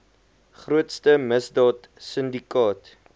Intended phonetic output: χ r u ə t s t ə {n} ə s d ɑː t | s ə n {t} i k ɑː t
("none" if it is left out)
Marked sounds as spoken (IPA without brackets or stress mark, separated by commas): m, d